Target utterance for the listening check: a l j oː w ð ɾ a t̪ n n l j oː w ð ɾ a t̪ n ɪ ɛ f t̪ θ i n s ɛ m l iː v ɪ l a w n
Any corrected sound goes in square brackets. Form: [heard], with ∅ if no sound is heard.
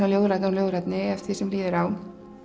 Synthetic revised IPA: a l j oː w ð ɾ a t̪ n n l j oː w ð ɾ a t̪ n ɪ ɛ f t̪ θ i [∅] s ɛ m l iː [ð] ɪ [ɾ] a w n